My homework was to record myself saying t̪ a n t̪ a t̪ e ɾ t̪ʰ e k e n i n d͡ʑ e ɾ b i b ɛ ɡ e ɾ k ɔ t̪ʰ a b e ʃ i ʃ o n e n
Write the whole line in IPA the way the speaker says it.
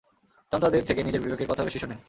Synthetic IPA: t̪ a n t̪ a d̪ e ɾ t̪ʰ e k e n i d͡ʑ e ɾ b i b e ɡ e ɾ k ɔ t̪ʰ a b e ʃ i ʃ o n e n